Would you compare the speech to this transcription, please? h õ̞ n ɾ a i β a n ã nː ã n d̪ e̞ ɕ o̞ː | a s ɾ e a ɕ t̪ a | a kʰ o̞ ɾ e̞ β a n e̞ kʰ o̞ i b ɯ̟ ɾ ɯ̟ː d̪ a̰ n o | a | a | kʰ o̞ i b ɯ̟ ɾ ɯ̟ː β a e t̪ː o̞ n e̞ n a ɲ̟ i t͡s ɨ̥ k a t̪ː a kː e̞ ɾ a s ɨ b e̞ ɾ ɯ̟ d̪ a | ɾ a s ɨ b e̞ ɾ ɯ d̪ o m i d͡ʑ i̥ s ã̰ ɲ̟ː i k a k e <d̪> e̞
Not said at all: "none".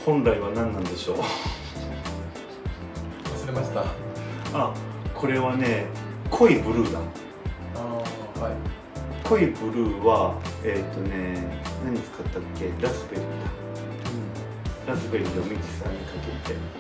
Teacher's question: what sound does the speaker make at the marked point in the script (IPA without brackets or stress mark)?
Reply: t̪